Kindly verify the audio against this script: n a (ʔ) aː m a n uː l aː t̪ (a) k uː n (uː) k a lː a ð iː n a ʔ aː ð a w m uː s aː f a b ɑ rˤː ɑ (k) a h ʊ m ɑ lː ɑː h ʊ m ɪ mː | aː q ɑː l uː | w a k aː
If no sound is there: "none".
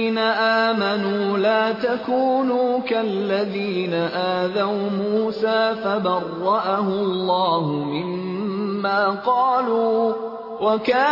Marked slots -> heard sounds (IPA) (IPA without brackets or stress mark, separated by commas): ʔ, a, uː, ʔ